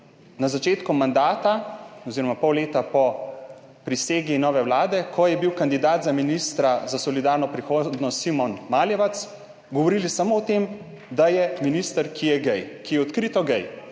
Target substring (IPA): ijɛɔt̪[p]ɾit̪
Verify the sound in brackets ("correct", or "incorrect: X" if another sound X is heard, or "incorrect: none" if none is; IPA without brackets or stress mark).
incorrect: k